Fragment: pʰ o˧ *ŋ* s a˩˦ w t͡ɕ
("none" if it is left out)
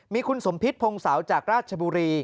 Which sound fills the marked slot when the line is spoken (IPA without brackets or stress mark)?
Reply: ŋ